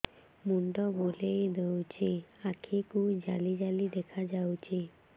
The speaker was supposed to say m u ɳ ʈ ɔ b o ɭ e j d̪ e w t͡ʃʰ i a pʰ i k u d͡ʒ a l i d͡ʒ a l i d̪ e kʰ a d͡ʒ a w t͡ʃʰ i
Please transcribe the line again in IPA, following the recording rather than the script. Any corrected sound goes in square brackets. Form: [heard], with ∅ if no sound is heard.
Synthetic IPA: m u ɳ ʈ ɔ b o [l] e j d̪ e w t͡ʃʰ i a [kʰ] i k u d͡ʒ a l i d͡ʒ a l i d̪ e kʰ a d͡ʒ a w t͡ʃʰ i